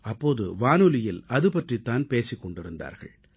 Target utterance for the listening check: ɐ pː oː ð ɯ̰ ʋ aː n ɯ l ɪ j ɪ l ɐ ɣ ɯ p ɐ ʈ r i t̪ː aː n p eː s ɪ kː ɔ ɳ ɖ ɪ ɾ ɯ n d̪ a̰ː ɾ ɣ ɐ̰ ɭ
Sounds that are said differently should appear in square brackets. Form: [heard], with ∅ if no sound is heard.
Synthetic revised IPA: ɐ pː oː ð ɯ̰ ʋ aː n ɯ l ɪ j ɪ l ɐ [ð] ɯ p ɐ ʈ r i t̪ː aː n p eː s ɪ kː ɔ ɳ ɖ ɪ ɾ ɯ n d̪ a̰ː ɾ ɣ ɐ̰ ɭ